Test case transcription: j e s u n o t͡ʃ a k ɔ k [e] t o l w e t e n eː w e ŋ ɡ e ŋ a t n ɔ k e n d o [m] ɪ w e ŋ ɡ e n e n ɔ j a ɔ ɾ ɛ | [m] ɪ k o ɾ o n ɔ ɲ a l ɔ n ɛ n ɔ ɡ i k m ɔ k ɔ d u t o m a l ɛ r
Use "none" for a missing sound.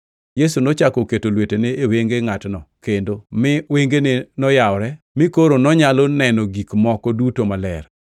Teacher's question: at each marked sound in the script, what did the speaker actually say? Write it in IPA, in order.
e, m, m

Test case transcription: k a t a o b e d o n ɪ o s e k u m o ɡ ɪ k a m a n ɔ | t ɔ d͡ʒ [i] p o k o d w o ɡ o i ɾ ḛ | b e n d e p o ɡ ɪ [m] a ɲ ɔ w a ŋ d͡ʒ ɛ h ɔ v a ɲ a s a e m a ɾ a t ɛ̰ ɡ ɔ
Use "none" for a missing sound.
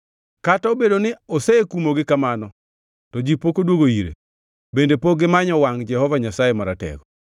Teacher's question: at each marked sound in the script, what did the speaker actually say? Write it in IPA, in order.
i, m

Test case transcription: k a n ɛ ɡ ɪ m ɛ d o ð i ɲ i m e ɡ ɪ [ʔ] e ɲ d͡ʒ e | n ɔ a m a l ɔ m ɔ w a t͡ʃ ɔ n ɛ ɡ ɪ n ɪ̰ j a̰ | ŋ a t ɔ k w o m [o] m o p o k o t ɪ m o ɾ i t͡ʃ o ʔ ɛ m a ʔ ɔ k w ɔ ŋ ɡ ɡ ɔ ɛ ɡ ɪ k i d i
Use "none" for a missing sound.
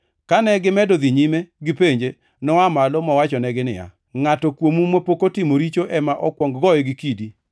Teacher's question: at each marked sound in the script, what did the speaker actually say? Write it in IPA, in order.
p, u

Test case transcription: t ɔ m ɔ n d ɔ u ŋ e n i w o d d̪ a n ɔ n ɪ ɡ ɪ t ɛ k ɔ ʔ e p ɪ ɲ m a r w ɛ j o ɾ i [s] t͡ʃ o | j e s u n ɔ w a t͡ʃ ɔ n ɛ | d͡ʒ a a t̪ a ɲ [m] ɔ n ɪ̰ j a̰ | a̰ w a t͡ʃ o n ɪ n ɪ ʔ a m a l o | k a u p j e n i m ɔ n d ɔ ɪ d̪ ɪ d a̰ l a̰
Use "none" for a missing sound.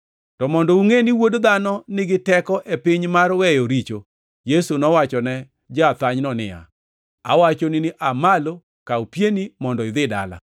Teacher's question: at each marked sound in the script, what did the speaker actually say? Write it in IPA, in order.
none, n

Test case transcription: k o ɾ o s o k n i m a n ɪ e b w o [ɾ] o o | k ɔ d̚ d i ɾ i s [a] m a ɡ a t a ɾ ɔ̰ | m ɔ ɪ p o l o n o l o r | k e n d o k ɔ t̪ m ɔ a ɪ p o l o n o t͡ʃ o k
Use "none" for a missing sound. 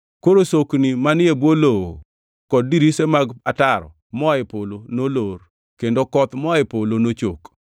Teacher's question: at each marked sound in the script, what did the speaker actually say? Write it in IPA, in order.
l, e

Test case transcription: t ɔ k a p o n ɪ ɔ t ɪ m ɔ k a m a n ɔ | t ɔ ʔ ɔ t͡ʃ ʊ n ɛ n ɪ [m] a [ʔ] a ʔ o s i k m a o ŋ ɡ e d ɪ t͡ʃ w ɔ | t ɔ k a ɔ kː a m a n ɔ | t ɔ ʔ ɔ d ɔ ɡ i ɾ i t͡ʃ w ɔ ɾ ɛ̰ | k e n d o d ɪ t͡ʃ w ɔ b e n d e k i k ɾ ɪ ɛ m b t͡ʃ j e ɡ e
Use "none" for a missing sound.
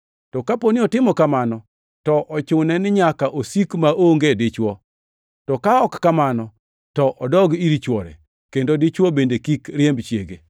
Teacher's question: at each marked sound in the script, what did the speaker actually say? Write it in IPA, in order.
ɲ, k

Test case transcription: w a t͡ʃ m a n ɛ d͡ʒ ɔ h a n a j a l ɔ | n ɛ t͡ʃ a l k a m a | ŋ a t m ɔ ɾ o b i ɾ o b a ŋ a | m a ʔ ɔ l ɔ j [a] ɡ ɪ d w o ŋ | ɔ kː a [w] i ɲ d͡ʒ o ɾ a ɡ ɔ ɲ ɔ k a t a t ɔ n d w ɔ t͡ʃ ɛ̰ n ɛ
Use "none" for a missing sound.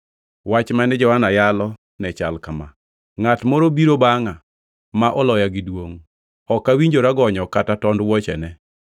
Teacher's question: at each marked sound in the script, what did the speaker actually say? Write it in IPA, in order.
a, w

